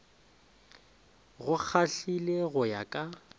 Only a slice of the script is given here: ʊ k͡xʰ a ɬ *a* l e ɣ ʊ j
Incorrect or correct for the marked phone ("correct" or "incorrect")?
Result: incorrect